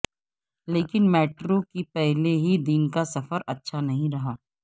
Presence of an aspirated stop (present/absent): absent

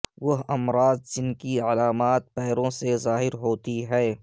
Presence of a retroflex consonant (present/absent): absent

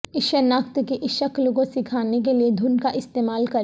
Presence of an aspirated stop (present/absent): present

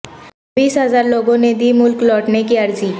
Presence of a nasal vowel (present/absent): present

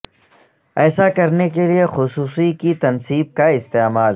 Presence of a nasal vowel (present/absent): absent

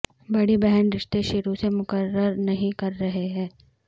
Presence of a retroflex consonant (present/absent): present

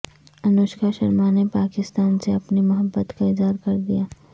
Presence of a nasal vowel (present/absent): absent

